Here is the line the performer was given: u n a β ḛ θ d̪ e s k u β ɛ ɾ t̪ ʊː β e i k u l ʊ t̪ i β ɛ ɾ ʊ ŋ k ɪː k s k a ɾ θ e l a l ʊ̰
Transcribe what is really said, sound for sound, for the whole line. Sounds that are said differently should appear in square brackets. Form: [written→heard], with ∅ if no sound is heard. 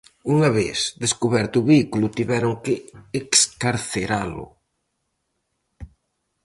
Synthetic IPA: u [n→ŋ] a β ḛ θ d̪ e s k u β ɛ ɾ t̪ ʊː β e i k u l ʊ t̪ i β ɛ ɾ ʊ ŋ k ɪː k s k a ɾ θ e [l→ɾ] a l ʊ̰